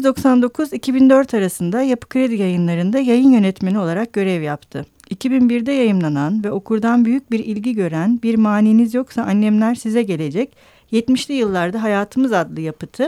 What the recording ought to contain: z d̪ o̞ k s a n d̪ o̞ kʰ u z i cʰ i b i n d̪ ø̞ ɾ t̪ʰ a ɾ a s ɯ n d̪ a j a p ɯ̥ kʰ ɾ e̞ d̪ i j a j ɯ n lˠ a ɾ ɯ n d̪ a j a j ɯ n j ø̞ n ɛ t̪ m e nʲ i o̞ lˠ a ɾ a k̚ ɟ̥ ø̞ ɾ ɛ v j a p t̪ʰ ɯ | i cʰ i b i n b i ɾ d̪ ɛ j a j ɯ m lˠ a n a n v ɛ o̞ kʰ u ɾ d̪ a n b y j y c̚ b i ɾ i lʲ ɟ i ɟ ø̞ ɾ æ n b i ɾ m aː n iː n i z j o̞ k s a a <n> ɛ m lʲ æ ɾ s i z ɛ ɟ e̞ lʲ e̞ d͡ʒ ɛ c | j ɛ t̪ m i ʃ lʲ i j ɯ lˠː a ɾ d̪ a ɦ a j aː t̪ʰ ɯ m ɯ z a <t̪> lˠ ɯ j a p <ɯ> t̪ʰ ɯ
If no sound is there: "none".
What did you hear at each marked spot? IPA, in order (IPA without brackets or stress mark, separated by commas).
nː, d̪, ɯ